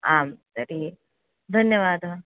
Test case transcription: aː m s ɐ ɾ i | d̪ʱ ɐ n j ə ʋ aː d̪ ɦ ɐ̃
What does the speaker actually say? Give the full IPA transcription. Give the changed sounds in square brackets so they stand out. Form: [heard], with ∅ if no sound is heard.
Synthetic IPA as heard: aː m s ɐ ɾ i | d̪ʱ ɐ n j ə ʋ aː d̪ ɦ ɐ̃